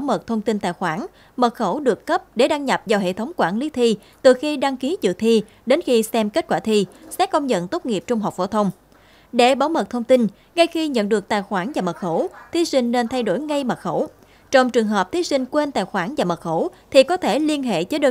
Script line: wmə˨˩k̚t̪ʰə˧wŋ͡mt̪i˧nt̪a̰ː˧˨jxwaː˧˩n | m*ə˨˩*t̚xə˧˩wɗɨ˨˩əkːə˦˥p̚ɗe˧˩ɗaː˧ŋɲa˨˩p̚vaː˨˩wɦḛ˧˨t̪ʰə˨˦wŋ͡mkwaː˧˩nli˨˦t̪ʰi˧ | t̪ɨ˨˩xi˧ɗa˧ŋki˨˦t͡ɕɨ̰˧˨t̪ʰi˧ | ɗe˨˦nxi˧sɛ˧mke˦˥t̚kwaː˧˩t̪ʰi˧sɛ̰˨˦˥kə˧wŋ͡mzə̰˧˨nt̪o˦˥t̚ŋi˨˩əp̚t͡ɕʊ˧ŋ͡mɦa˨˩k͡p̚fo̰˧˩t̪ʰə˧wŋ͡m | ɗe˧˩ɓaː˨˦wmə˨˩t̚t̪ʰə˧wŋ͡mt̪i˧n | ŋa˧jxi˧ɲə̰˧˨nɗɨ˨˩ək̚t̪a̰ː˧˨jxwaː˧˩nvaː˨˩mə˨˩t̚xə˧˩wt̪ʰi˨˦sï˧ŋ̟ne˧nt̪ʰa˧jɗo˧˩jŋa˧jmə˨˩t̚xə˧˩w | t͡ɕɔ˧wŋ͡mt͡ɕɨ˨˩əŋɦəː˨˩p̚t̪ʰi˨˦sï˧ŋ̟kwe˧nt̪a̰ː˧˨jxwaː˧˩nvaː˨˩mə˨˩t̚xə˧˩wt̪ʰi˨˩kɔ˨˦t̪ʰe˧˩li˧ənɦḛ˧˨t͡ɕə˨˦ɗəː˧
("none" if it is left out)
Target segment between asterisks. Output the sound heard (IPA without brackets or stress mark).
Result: ə˨˩